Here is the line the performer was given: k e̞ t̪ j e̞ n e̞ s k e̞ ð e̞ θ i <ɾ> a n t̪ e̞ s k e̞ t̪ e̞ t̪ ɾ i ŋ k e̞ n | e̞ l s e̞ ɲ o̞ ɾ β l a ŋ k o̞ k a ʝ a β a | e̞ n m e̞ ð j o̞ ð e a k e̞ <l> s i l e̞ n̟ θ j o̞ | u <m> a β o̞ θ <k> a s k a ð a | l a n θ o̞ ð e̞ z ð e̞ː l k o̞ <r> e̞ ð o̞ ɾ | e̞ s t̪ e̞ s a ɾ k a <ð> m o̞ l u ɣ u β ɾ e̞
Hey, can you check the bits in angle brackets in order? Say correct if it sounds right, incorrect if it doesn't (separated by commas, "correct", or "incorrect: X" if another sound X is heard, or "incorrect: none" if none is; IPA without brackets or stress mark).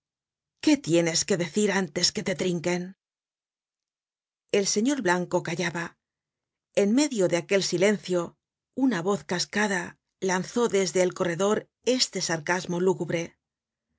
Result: correct, correct, incorrect: n, correct, correct, incorrect: z